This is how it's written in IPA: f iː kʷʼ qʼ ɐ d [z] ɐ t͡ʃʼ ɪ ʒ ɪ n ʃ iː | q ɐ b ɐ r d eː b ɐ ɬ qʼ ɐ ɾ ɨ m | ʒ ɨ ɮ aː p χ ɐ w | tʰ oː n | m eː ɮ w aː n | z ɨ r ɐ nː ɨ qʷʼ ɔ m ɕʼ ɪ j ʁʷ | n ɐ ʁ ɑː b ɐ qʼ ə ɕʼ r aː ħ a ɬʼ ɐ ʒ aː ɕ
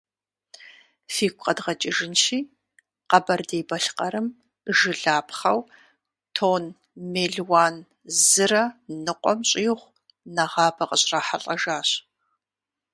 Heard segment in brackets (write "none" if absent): ʁ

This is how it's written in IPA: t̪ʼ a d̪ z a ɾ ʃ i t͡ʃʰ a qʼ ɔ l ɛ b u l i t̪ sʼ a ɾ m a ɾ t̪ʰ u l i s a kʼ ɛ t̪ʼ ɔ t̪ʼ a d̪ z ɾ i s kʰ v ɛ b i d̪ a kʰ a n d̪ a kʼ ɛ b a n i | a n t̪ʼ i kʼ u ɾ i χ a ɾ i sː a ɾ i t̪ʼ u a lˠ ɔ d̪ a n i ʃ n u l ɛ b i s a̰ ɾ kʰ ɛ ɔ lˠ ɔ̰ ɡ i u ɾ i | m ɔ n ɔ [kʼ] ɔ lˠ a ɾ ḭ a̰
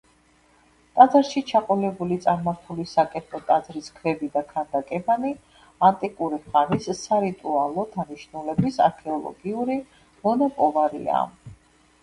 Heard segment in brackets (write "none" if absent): pʼ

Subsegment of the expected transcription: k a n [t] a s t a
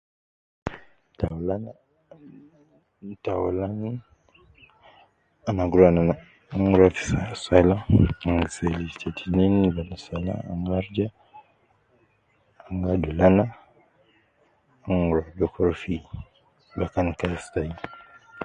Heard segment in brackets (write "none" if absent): k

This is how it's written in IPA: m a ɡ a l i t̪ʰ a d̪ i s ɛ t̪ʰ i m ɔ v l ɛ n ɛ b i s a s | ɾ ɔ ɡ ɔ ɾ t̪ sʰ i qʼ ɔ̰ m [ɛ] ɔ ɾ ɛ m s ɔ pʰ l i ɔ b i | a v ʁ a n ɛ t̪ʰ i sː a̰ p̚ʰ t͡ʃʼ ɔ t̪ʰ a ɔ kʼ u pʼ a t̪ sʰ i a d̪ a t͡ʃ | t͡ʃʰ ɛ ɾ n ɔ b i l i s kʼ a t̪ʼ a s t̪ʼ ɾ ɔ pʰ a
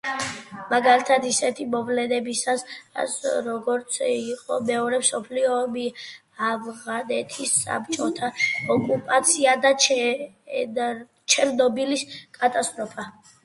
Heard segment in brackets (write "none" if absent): ɛ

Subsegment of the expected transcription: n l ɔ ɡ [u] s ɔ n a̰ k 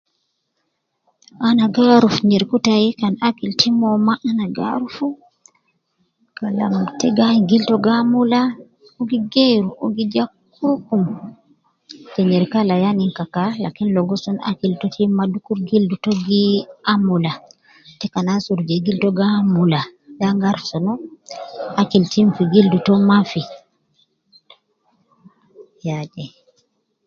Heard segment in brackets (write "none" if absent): ɔ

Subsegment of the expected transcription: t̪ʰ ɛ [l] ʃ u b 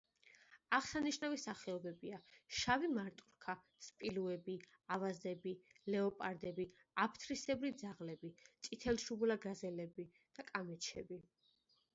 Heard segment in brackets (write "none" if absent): l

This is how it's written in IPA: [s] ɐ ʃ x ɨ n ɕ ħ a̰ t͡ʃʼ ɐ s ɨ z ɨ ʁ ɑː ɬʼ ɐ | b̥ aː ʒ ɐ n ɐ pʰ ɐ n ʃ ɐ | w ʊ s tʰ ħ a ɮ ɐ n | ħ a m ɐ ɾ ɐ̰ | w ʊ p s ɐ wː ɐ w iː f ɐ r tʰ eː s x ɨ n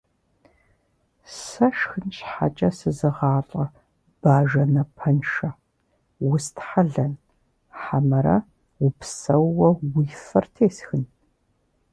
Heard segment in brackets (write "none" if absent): s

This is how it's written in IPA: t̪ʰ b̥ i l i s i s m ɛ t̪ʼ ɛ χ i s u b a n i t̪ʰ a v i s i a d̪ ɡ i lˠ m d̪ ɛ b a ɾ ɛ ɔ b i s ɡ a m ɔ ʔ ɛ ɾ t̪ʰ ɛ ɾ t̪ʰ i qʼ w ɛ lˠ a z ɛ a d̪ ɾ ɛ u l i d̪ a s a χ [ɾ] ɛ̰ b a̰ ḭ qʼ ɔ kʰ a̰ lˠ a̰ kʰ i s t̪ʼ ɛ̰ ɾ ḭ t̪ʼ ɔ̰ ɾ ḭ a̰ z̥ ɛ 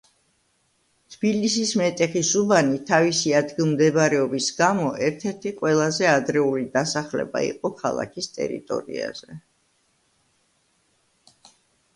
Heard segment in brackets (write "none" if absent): l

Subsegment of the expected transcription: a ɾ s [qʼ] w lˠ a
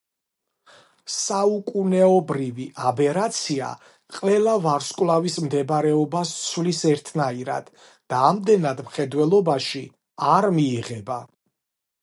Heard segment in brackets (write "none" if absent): kʼ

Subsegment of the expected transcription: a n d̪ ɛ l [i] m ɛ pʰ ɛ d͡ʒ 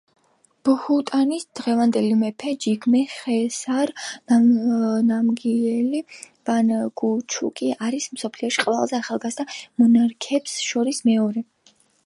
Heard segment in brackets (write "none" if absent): i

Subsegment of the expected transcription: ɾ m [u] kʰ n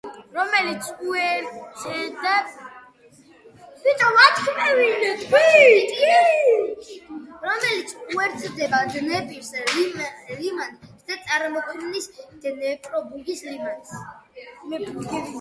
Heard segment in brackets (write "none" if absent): ɔ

